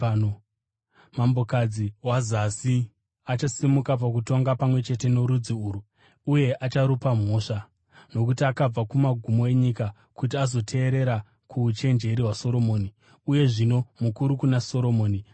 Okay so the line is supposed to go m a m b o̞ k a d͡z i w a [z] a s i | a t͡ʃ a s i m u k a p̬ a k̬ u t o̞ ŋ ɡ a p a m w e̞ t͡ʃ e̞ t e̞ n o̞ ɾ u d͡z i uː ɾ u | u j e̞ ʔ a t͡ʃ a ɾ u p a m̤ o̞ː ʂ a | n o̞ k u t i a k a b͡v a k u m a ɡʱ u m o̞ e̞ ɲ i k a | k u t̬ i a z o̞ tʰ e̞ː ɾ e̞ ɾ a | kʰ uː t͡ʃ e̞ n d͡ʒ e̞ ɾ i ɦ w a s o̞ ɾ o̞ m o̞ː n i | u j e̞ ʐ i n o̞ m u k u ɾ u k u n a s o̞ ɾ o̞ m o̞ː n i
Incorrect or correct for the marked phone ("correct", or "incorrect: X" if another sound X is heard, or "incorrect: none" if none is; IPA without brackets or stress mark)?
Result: correct